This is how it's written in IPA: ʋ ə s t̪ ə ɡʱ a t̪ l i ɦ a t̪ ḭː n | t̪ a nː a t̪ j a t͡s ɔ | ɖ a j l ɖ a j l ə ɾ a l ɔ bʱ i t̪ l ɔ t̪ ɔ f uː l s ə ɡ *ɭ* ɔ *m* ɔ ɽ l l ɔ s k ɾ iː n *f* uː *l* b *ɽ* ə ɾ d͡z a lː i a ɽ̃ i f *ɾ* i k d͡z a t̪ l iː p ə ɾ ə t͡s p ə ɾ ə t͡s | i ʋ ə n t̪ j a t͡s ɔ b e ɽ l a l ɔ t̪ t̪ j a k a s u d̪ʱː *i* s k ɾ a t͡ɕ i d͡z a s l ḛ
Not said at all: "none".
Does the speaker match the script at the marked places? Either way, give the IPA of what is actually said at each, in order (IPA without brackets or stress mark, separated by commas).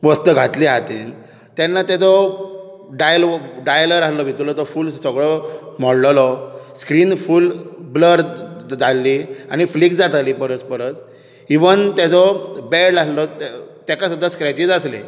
ɭ, m, f, l, l, l, a